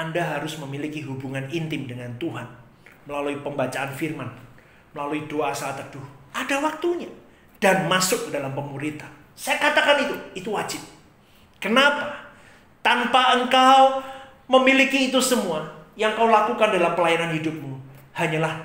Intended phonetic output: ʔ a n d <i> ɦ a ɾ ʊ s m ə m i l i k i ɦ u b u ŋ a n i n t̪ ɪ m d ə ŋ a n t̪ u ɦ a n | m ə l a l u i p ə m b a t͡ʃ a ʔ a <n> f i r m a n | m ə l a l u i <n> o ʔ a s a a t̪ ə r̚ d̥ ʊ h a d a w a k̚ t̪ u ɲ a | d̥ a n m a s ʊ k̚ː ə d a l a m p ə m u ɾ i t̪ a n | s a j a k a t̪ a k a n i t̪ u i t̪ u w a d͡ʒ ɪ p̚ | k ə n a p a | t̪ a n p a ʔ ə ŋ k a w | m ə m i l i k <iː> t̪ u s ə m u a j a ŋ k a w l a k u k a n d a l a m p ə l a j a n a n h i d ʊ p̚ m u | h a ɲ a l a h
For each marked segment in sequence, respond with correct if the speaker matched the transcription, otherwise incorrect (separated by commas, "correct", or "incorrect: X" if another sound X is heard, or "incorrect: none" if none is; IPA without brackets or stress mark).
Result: incorrect: a, correct, incorrect: d, correct